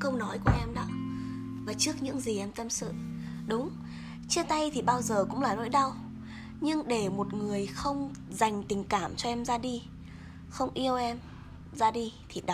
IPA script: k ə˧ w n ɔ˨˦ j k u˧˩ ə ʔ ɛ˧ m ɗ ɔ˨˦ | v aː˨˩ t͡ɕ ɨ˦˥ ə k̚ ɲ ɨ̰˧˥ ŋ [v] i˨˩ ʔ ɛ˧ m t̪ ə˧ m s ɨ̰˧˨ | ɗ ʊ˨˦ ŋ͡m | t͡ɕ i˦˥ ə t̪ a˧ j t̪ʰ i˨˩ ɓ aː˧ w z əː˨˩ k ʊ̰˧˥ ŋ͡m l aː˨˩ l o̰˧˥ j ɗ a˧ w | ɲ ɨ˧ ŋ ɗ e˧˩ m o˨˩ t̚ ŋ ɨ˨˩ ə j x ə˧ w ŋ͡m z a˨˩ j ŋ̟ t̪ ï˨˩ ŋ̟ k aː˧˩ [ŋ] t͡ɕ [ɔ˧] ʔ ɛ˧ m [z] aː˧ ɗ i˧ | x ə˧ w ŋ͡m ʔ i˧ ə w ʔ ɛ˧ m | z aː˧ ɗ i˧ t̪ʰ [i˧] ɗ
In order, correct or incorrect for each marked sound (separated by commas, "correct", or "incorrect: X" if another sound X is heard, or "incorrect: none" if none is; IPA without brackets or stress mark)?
incorrect: z, incorrect: m, correct, correct, incorrect: i˨˩